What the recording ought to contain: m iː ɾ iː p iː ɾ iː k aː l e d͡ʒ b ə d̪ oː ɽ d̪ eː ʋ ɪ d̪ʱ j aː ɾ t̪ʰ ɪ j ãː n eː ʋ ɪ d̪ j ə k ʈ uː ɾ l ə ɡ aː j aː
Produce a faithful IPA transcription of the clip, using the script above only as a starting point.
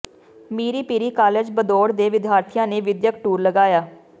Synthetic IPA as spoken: m iː ɾ iː p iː ɾ iː k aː l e d͡ʒ b ə d̪ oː ɽ d̪ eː ʋ ɪ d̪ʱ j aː ɾ t̪ʰ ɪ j ãː n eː ʋ ɪ d̪ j ə k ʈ uː ɾ l ə ɡ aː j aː